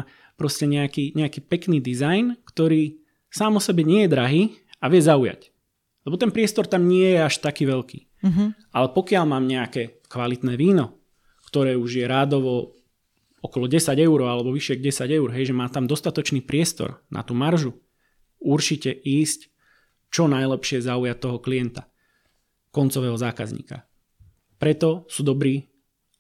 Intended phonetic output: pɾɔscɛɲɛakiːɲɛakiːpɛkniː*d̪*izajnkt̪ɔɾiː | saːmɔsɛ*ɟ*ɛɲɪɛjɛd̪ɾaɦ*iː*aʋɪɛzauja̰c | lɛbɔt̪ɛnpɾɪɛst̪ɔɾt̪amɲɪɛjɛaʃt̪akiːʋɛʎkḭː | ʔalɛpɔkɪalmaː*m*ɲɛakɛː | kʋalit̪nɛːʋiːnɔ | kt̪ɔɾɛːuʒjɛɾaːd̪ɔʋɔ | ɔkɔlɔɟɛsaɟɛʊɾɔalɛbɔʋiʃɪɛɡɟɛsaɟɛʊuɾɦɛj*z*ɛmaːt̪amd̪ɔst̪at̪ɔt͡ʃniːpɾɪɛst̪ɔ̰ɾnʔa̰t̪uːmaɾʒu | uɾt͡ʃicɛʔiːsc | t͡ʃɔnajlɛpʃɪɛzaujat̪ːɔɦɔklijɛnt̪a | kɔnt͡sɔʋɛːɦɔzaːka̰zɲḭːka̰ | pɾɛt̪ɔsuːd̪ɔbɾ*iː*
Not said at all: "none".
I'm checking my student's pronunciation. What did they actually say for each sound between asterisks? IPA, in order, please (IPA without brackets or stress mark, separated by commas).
d̪, b, iː, m, ʒ, iː